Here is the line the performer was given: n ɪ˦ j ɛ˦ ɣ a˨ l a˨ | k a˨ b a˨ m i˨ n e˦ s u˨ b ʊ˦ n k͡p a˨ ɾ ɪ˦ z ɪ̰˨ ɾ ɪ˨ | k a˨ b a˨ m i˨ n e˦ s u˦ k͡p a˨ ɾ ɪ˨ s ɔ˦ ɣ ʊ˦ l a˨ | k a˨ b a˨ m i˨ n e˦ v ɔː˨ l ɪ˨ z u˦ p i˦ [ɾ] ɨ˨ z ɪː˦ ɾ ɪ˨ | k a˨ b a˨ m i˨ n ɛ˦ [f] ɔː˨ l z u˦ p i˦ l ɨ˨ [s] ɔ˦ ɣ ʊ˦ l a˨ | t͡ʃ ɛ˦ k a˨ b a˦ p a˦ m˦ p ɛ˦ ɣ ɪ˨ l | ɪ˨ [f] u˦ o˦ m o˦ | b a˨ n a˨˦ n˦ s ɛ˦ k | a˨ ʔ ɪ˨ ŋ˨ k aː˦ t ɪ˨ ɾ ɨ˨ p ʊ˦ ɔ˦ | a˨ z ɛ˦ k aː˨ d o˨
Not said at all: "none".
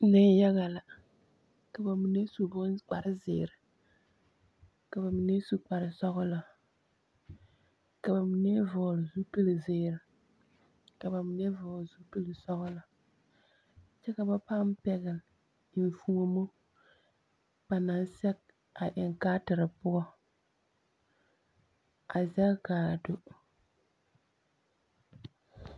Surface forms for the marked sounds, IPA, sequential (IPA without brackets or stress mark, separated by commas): l, v, s, f